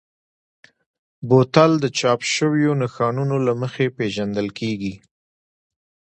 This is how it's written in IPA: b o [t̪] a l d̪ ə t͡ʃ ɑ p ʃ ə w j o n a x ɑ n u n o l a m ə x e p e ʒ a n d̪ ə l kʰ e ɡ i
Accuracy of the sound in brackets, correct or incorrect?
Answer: correct